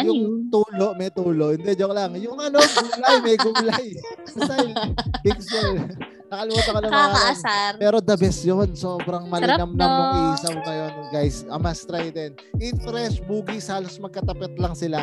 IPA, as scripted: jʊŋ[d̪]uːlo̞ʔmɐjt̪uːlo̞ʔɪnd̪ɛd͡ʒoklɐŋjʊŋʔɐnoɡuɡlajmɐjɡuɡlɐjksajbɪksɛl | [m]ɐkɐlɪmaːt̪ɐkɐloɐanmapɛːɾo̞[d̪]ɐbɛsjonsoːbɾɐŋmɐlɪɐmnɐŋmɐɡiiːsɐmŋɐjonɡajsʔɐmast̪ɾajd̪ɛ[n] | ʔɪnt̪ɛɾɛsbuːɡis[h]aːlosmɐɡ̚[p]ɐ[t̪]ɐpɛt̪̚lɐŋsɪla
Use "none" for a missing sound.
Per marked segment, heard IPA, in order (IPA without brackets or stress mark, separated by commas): t̪, n, d̪, n, h, k, t̪